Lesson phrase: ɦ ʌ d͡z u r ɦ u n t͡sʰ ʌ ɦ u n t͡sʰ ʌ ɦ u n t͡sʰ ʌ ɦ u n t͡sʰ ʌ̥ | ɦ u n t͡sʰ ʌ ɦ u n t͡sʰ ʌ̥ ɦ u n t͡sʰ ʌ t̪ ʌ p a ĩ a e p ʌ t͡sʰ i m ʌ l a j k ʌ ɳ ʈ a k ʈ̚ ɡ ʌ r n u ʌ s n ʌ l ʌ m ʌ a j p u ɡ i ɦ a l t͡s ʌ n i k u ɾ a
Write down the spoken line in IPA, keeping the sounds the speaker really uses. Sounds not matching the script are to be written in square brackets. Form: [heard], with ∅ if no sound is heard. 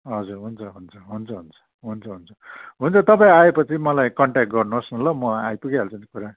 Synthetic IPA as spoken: ɦ ʌ d͡z u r ɦ u n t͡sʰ ʌ ɦ u n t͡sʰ ʌ ɦ u n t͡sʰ ʌ ɦ u n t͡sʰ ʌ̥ | ɦ u n t͡sʰ ʌ ɦ u n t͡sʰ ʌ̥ ɦ u n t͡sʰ ʌ t̪ ʌ p a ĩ a e p ʌ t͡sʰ i m ʌ l a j k ʌ ɳ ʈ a k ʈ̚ ɡ ʌ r n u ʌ s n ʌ l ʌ m ʌ a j p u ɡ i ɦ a l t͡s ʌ n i k u ɾ a